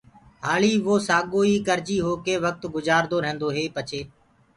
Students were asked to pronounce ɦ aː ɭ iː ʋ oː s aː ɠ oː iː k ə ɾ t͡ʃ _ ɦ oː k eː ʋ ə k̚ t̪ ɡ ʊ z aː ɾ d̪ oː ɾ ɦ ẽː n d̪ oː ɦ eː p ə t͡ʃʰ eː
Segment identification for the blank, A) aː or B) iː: B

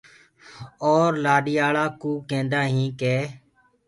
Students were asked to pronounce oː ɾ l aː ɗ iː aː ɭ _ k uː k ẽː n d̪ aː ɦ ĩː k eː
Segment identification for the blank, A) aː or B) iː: A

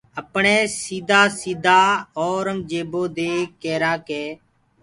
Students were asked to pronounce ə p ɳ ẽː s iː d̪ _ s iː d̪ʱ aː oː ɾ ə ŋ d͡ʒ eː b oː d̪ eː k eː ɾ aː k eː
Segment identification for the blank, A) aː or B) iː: A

